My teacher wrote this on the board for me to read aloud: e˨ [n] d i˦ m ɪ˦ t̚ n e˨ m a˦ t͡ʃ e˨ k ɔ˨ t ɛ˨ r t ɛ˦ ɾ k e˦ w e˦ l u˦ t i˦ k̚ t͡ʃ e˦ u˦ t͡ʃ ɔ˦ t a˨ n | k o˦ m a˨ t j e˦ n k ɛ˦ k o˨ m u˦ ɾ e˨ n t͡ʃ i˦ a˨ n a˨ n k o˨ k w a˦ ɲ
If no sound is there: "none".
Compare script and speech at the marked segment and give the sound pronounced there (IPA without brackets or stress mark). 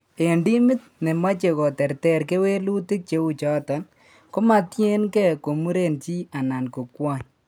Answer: n